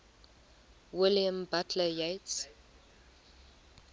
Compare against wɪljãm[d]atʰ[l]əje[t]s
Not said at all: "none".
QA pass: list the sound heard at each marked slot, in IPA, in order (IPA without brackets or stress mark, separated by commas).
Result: b, l, t